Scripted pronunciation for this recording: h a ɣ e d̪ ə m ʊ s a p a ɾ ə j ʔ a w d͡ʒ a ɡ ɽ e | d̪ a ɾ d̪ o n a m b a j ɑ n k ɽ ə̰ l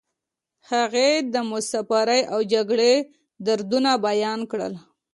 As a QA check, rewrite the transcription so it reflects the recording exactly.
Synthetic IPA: h a ɣ e d̪ ə m ʊ s a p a ɾ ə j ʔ a w d͡ʒ a ɡ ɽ e | d̪ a ɾ d̪ u n a b a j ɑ n k ɽ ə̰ l